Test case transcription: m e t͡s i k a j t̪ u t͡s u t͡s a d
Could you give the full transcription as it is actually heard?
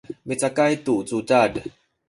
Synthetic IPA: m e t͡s a k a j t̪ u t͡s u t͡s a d